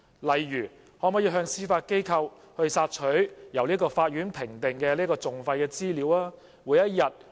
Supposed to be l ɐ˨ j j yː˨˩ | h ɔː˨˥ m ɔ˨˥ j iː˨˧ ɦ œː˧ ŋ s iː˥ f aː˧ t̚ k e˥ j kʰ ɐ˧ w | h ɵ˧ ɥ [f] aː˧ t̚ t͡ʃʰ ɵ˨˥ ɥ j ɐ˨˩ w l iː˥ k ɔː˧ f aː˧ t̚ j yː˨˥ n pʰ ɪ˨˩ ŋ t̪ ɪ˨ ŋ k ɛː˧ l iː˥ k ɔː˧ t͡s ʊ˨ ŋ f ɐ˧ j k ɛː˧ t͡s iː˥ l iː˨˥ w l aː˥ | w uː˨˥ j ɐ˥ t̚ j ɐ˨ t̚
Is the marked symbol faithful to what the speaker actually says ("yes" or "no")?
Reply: no